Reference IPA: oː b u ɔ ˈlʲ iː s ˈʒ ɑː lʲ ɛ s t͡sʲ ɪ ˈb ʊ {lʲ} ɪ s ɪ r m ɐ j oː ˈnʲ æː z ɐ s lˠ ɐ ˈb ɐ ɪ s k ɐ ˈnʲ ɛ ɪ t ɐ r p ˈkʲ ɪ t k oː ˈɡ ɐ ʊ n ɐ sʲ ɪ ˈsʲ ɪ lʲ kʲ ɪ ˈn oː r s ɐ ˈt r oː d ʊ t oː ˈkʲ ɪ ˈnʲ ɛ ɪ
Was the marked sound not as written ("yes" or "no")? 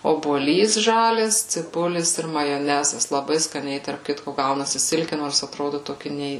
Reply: no